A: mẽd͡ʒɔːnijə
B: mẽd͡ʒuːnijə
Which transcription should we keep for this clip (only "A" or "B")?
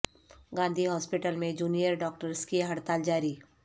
B